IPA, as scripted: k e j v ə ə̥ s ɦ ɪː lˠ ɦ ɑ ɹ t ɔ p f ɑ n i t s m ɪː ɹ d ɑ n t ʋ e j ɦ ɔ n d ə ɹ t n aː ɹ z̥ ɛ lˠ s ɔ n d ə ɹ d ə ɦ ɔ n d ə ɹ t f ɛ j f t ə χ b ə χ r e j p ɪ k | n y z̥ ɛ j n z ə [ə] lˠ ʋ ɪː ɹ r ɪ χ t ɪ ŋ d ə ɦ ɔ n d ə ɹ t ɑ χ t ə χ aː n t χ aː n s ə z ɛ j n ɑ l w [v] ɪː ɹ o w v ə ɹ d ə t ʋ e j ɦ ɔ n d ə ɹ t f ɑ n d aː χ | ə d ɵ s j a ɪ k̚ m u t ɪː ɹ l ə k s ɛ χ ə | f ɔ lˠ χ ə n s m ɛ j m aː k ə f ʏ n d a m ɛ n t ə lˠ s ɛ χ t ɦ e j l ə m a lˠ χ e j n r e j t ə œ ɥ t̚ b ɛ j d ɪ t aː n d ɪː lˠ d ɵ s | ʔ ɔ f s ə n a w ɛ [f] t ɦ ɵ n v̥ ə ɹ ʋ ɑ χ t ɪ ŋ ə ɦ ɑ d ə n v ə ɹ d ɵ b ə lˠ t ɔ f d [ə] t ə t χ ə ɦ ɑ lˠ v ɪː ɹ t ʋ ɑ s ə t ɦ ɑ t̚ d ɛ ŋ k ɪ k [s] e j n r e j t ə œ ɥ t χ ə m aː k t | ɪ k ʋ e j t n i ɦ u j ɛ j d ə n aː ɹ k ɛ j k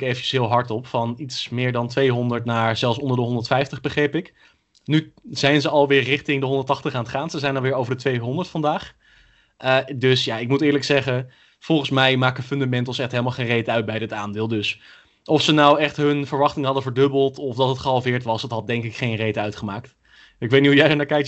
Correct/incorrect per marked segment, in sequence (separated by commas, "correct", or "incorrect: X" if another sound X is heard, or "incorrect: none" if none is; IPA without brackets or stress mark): incorrect: ɑ, incorrect: ʋ, incorrect: χ, incorrect: ɑ, incorrect: χ